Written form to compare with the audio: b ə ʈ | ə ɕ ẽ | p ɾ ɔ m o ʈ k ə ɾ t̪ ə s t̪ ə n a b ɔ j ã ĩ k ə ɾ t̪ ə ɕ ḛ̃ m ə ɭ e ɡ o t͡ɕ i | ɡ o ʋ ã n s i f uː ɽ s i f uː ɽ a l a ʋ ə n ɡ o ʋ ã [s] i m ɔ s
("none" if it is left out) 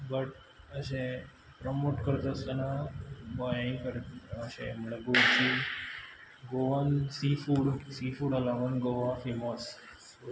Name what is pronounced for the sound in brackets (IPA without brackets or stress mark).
f